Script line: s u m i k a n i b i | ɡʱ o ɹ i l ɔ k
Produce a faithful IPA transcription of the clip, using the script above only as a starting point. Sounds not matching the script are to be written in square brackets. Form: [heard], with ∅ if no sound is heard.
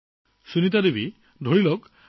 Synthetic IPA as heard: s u [n] i [t] a [d] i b i | [dʱ] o ɹ i l ɔ k